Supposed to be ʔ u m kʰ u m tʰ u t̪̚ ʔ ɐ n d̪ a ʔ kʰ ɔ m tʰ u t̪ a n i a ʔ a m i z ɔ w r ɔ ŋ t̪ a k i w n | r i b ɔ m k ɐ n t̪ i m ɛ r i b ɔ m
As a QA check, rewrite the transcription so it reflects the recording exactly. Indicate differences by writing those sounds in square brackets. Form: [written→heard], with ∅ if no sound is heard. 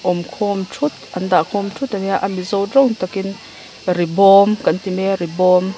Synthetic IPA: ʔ [u→ɔ] m kʰ [u→ɔ] m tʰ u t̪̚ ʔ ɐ n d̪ a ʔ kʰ ɔ m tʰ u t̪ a n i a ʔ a m i z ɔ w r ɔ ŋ t̪ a k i [w→∅] n | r i b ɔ m k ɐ n t̪ i m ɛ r i b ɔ m